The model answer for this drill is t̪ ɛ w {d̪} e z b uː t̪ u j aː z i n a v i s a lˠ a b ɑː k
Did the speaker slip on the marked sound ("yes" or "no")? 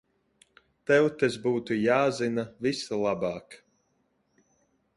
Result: yes